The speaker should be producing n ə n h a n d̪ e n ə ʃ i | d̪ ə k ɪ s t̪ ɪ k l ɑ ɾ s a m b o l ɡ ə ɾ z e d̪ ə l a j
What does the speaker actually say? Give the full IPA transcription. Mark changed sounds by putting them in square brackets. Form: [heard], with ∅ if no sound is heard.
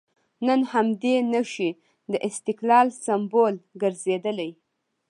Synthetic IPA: n ə n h a [m] d̪ e n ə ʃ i | d̪ ə [ʔ] ɪ s t̪ ɪ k l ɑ [l] s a m b o l ɡ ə ɾ z e d̪ ə l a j